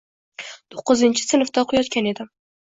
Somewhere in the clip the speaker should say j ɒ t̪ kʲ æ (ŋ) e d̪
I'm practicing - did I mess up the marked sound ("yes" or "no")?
yes